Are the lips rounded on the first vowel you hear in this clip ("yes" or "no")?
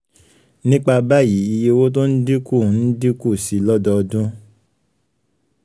no